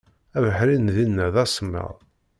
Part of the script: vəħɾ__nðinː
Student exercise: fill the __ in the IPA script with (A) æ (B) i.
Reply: B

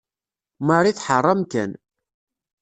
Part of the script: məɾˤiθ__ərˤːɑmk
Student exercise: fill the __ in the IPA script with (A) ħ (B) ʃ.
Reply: A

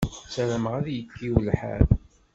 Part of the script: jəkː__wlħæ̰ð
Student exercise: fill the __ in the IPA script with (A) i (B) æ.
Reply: A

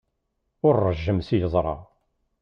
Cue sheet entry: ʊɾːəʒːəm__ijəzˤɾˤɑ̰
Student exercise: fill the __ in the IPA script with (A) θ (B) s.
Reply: B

